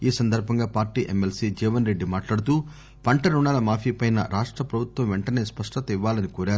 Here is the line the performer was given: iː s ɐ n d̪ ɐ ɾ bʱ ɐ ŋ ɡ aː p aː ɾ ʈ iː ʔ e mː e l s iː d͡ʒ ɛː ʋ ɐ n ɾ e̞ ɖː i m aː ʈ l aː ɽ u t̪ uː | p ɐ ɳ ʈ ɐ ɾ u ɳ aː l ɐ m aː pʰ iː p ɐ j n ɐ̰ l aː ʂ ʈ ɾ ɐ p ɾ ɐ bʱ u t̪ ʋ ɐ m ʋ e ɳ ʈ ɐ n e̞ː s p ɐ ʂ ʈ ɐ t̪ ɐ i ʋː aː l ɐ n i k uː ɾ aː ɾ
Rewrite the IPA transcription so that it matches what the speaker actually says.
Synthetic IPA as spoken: iː s ɐ n d̪ ɐ ɾ bʱ ɐ ŋ ɡ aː p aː ɾ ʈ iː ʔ e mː e l s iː d͡ʒ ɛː ʋ ɐ n ɾ e̞ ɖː i m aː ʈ l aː ɽ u t̪ uː | p ɐ ɳ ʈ ɐ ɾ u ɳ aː l ɐ m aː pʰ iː p ɐ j n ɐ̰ ɾ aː ʂ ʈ ɾ ɐ p ɾ ɐ bʱ u t̪ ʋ ɐ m ʋ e ɳ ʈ ɐ n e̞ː s p ɐ ʂ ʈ ɐ t̪ ɐ i ʋː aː l ɐ n i k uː ɾ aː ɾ